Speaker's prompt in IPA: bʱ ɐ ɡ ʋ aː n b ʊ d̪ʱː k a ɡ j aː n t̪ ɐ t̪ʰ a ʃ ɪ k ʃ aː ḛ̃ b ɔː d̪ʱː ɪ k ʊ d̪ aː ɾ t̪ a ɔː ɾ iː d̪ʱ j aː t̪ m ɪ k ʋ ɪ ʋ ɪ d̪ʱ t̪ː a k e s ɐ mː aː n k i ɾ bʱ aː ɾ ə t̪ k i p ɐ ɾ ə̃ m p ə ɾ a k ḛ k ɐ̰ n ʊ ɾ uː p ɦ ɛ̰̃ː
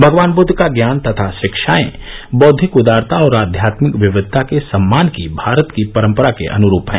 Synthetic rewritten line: bʱ ɐ ɡ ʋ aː n b ʊ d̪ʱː k a ɡ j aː n t̪ ɐ t̪ʰ a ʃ ɪ k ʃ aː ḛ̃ b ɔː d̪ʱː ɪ k ʊ d̪ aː ɾ t̪ a ɔː ɾ aː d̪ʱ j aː t̪ m ɪ k ʋ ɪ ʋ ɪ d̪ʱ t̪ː a k e s ɐ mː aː n k i bʱ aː ɾ ə t̪ k i p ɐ ɾ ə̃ m p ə ɾ a k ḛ ʔ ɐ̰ n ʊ ɾ uː p ɦ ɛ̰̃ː